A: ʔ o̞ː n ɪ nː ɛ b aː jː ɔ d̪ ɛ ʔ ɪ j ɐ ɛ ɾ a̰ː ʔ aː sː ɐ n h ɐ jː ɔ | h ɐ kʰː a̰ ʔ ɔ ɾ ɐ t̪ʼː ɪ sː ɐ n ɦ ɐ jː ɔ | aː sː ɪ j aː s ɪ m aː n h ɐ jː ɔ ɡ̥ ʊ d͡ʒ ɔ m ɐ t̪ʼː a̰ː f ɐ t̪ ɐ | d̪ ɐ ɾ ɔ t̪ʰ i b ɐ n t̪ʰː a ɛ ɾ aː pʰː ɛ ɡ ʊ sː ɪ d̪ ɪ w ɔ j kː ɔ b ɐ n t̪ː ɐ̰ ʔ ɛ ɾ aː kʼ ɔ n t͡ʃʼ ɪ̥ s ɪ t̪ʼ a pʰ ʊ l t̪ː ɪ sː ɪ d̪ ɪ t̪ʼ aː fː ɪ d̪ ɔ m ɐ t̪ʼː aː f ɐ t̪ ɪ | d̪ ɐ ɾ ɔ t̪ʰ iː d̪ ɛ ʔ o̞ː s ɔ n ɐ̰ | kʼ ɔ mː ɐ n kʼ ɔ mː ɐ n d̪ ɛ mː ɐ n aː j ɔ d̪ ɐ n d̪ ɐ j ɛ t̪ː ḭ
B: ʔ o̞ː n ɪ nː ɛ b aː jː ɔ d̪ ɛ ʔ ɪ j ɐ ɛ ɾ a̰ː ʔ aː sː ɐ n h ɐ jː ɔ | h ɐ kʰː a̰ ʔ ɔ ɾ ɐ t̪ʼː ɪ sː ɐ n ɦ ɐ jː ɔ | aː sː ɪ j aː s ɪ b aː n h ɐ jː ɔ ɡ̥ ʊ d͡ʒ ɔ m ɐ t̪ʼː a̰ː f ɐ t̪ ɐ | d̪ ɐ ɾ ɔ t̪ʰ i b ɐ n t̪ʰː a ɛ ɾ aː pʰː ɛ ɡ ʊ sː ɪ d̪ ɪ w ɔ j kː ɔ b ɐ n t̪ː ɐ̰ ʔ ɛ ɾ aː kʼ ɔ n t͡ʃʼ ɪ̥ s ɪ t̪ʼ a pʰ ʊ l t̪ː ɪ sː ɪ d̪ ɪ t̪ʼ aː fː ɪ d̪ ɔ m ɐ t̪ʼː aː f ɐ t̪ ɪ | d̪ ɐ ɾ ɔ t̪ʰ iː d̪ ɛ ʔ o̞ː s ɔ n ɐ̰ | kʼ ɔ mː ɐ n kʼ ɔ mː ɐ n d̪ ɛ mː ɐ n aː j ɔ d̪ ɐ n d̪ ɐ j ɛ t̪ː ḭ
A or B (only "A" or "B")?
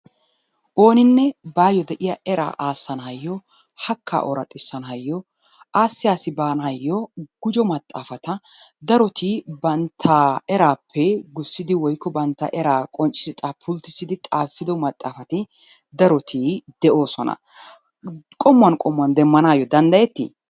B